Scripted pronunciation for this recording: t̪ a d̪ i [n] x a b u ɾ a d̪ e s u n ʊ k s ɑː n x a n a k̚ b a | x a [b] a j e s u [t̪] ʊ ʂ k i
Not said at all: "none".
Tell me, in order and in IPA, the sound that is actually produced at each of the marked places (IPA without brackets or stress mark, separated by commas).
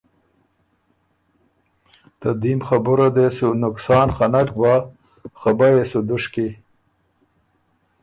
m, b, d̪